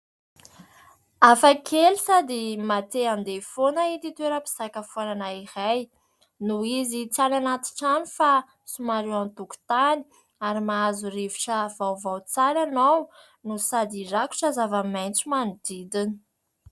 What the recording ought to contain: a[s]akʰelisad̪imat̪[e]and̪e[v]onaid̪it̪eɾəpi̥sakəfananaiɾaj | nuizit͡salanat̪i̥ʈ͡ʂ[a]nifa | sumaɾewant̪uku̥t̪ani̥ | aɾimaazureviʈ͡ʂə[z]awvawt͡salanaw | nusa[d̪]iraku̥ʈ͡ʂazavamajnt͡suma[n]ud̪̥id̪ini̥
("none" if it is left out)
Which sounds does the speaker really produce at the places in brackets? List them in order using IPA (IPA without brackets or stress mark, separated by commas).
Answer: f, e, f, a, v, d̪, n